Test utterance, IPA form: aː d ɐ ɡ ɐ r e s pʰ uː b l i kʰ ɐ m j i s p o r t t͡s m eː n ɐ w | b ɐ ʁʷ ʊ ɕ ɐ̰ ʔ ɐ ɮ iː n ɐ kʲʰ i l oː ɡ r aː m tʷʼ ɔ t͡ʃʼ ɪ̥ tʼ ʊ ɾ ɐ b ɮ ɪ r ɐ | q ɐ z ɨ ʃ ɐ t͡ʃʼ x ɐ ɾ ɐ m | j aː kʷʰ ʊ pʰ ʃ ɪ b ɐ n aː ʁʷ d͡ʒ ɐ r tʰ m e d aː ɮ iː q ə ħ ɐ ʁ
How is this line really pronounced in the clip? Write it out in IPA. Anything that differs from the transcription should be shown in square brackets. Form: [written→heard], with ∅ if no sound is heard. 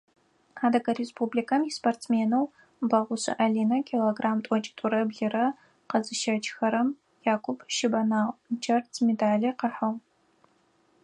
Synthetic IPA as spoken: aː d ɐ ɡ ɐ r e s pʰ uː b l i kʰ ɐ m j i s p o r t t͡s m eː n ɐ w | b ɐ ʁʷ ʊ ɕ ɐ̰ ʔ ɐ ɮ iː n ɐ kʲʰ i l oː ɡ r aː m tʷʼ ɔ t͡ʃʼ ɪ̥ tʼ ʊ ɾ ɐ b ɮ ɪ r ɐ | q ɐ z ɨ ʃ ɐ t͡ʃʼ x ɐ ɾ ɐ m | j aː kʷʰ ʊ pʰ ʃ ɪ b ɐ n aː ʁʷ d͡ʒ ɐ r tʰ m e d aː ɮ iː q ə ħ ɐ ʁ